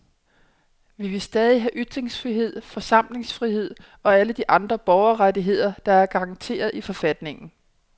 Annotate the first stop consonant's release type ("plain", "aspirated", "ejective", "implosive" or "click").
plain